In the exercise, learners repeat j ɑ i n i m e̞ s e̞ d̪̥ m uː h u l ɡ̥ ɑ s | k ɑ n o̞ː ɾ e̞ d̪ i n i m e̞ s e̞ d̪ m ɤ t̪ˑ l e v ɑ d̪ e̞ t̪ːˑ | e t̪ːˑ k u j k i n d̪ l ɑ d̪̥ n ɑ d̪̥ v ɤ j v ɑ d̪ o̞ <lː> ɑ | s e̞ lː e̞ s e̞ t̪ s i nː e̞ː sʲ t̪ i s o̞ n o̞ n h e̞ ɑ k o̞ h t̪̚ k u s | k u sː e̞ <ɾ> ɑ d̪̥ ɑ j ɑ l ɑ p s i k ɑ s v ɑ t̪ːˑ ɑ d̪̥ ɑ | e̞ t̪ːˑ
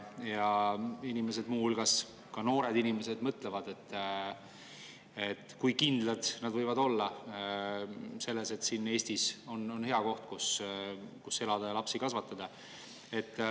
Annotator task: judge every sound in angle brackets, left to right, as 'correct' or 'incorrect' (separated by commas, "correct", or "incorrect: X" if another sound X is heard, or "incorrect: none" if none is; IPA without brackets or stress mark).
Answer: correct, incorrect: l